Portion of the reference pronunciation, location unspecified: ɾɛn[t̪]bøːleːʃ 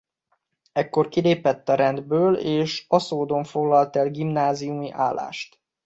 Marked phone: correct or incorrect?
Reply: incorrect: d̪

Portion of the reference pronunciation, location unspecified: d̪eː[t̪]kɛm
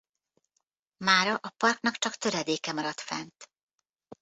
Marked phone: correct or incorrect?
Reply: incorrect: none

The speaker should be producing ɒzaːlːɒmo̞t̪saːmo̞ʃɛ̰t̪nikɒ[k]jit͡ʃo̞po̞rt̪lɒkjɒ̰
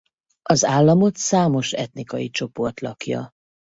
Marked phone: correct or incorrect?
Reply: incorrect: none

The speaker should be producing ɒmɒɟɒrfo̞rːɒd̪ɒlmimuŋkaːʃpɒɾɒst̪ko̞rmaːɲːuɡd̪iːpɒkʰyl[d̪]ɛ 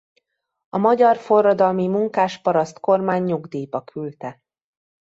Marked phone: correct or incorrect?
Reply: incorrect: t̪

